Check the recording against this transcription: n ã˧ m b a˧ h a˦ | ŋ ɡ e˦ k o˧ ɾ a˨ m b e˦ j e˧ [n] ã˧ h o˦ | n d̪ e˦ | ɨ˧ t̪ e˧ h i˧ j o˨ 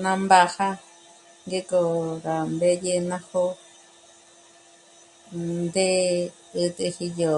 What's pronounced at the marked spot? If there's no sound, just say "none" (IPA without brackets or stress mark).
n